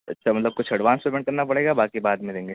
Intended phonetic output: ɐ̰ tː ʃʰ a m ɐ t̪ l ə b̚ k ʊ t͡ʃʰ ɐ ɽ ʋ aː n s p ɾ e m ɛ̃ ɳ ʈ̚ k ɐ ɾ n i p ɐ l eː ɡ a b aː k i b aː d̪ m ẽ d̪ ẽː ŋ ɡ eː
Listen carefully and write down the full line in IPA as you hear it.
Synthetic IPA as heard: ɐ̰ tː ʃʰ a m ɐ t̪ l ə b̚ k ʊ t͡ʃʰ ɐ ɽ ʋ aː n s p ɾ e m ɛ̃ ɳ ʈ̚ k ɐ ɾ n a p ɐ ɽ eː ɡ a b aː k i b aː d̪ m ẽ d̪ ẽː ŋ ɡ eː